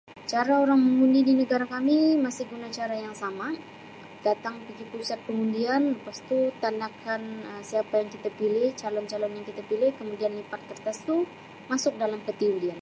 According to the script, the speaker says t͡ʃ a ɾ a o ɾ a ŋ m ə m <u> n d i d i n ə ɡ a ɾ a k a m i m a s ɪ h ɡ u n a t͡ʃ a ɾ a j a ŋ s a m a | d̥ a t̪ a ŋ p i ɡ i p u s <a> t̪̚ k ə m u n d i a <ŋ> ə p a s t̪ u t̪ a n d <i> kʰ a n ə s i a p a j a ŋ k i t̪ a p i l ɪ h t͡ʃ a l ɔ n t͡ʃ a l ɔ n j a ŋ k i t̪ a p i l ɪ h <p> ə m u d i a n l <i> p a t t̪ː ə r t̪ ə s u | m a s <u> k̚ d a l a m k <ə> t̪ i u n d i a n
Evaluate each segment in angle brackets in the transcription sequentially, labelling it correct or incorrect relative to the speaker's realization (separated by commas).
correct, correct, incorrect, incorrect, incorrect, correct, incorrect, correct